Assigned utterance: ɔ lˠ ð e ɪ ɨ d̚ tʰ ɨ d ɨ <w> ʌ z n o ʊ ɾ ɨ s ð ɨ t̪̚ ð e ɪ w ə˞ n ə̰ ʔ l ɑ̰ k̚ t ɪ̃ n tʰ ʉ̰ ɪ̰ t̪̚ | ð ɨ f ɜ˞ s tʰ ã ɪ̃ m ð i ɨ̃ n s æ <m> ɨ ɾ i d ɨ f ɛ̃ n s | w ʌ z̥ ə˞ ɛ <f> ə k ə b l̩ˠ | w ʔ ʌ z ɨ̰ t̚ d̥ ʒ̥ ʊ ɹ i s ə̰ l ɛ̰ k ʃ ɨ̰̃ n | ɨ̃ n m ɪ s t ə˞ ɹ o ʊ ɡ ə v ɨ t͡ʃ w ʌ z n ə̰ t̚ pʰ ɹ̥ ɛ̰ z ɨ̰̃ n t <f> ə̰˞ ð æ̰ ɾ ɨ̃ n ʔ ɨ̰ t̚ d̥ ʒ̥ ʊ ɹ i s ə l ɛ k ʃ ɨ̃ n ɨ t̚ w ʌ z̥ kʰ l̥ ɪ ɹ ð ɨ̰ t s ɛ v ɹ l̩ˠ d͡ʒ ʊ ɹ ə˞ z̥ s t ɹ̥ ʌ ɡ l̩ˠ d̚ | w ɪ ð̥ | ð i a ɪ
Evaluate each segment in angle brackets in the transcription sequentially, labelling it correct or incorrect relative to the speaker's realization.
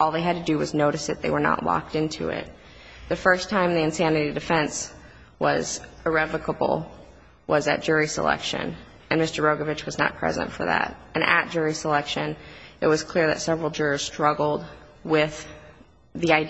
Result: correct, incorrect: n, incorrect: v, correct

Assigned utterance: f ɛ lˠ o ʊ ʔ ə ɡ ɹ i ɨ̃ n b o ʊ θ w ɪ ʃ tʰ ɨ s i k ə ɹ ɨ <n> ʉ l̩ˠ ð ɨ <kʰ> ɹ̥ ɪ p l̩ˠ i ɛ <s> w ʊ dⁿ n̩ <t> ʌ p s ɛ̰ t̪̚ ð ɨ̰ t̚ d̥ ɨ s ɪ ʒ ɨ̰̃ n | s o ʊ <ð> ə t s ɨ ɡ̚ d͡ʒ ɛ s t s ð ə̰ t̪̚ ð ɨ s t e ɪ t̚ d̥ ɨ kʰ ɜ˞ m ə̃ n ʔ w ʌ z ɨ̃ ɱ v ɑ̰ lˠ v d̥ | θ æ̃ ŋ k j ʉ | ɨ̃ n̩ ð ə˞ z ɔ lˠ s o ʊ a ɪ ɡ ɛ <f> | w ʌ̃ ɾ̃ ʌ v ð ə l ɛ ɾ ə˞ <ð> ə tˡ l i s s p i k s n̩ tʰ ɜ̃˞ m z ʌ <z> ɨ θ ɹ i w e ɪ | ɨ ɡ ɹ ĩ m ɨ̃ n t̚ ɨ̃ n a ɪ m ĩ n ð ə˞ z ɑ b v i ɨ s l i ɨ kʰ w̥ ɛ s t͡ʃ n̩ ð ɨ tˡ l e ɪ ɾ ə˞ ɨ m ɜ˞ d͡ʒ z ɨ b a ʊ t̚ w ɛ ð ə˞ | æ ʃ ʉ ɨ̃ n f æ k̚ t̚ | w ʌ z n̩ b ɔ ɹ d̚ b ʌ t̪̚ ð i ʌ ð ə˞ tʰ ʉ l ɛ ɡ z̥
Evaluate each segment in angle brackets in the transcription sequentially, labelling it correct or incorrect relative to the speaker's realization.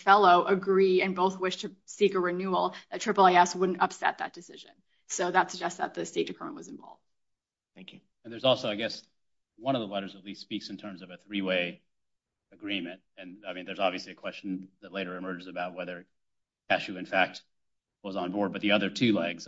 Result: correct, incorrect: tʰ, correct, correct, correct, incorrect: s, incorrect: z, incorrect: v

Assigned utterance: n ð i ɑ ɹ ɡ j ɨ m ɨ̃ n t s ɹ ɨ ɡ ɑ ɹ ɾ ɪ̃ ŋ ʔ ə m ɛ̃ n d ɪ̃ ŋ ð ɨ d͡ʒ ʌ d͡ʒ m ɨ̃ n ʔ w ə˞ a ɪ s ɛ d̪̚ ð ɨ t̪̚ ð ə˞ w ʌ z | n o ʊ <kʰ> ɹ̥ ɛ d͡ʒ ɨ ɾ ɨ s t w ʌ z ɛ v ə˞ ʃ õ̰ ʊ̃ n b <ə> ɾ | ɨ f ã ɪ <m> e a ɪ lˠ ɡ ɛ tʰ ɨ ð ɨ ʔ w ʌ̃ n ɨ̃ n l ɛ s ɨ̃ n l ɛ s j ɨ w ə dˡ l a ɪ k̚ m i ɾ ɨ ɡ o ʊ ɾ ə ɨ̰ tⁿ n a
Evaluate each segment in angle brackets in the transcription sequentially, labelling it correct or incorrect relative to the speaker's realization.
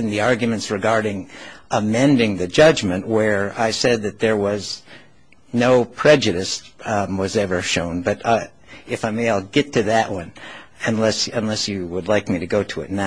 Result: incorrect: pʰ, incorrect: ʌ, correct

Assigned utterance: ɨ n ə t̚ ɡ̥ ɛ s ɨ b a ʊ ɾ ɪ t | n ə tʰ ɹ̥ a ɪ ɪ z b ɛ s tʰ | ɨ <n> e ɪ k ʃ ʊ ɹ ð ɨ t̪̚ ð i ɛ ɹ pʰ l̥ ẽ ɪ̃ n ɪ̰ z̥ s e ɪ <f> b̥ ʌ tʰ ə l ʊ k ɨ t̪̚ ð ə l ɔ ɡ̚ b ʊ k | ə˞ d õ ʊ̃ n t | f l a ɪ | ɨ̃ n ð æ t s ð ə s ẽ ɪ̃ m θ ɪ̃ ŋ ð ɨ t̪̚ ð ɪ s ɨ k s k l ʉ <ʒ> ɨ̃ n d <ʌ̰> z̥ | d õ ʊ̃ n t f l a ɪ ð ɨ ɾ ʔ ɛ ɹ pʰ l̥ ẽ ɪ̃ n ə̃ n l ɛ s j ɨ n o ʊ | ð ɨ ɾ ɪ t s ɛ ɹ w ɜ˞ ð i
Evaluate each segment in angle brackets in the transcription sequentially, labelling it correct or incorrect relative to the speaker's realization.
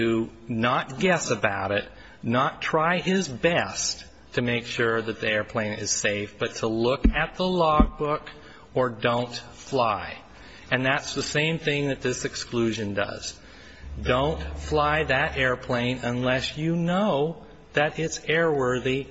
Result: incorrect: m, correct, correct, correct

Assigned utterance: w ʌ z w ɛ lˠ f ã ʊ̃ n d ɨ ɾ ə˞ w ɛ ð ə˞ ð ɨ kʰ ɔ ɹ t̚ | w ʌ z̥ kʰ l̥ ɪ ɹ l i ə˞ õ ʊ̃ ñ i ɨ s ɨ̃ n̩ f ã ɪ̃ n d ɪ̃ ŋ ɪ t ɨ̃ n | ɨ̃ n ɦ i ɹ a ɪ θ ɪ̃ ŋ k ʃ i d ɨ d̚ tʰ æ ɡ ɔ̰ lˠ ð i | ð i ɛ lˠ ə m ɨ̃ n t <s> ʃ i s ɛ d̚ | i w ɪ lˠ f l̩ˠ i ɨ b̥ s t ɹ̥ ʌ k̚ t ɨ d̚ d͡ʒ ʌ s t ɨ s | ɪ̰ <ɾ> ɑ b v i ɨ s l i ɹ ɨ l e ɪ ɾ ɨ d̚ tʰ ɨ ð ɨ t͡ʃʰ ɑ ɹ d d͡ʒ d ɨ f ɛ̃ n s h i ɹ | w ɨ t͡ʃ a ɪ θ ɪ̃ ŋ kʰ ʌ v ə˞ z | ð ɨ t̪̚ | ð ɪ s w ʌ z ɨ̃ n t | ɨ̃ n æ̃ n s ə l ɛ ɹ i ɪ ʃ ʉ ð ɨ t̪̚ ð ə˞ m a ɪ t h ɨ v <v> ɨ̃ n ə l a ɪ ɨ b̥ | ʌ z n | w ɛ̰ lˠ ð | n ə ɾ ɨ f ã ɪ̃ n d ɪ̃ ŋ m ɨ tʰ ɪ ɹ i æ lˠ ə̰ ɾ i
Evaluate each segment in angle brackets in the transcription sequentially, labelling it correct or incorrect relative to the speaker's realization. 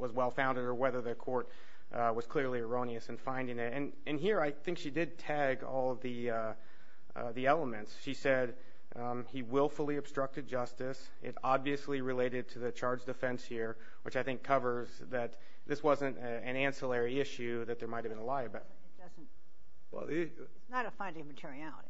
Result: correct, correct, incorrect: b

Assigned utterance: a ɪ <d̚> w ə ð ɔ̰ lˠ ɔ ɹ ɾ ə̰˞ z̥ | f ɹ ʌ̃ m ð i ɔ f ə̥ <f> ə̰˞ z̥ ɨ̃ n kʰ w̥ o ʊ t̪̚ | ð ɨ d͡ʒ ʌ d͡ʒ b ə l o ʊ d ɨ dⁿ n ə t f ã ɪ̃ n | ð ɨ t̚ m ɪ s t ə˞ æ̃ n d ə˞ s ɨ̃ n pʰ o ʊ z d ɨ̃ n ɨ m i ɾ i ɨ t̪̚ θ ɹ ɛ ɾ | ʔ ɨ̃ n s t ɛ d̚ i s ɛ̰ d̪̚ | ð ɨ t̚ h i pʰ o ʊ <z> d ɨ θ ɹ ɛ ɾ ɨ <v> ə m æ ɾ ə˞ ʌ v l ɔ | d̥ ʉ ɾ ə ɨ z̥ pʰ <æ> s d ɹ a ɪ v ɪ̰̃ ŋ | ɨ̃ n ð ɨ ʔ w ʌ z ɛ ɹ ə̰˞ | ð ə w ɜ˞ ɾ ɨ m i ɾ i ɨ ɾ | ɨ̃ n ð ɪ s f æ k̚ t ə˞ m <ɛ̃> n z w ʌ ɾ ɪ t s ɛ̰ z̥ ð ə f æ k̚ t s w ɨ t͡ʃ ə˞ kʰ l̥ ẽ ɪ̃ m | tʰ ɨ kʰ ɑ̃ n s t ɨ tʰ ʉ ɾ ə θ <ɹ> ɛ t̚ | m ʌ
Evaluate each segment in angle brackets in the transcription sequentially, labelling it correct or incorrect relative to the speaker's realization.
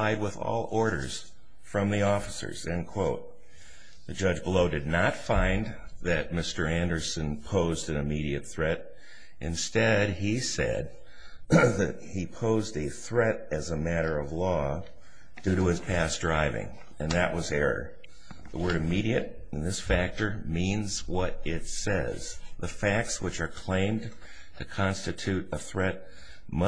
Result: correct, incorrect: s, correct, incorrect: z, correct, incorrect: ĩ, correct

